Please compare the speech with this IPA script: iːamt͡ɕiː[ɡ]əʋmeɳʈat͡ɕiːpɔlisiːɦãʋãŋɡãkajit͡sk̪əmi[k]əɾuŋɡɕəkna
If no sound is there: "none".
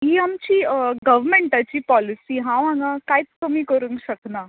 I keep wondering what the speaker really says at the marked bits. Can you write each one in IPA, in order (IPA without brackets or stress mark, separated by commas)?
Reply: ɡ, k